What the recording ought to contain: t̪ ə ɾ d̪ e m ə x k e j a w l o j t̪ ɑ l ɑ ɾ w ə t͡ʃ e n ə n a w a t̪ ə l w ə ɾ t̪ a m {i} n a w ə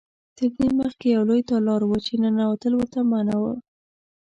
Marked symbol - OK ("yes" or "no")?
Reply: no